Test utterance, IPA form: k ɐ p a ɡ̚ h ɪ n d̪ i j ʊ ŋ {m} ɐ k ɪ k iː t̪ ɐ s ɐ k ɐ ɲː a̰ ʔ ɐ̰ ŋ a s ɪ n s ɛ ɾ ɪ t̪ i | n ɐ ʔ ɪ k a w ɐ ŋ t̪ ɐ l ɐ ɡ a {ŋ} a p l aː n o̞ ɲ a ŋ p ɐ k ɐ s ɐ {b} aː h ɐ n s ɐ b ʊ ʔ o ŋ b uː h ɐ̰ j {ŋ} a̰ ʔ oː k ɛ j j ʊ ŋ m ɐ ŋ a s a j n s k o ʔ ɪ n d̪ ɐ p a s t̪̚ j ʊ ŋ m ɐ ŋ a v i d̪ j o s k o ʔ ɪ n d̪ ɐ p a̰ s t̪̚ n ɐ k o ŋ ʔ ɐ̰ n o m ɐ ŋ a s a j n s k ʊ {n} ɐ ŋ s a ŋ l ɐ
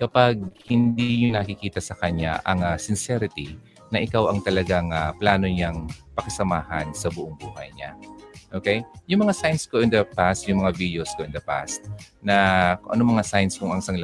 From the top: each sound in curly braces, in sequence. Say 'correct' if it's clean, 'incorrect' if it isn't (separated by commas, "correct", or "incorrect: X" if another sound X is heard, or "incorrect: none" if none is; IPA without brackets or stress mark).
incorrect: n, correct, incorrect: m, incorrect: ɲ, incorrect: ŋ